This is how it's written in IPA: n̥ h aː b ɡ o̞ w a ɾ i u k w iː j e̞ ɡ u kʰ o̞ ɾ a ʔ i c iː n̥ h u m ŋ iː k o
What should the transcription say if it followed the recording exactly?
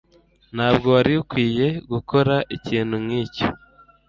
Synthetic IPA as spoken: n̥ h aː b ɡ o̞ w a ɾ i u k w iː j e̞ ɡ u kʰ o̞ ɾ a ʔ i c iː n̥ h u m ŋ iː c o

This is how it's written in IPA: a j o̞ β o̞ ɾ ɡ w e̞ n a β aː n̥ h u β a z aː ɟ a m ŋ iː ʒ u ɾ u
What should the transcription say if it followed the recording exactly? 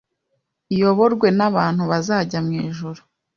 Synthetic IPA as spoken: i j o̞ β o̞ ɾ ɡ w e̞ n a β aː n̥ h u β a z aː ɟ a m ŋ iː ʒ u ɾ u

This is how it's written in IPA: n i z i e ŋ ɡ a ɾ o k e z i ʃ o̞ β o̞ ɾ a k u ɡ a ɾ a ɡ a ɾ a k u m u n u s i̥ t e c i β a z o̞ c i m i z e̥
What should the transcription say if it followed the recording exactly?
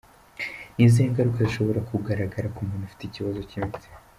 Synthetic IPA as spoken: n i z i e ŋ ɡ a ɾ u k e z i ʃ o̞ β o̞ ɾ a k u ɡ a ɾ a ɡ a ɾ a k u m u n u f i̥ t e c i β a z o̞ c i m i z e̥

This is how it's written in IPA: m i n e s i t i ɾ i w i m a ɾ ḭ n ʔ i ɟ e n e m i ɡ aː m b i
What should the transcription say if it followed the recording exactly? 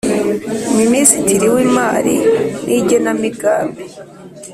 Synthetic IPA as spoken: m i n i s i t i ɾ i w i m a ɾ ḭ n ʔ i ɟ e n a m i ɡ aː m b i

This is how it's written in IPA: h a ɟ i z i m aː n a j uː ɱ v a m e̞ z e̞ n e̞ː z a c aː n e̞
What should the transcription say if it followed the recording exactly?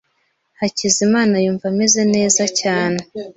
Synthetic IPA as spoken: h a c i z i m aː n a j uː ɱ v a m e̞ z e̞ n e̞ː z a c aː n e̞

